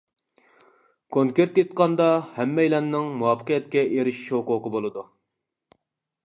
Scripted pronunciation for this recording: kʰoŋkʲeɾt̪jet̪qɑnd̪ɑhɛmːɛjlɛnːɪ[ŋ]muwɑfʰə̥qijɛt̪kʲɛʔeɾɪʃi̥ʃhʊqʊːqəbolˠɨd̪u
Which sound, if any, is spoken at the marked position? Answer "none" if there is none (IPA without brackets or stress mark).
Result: ŋ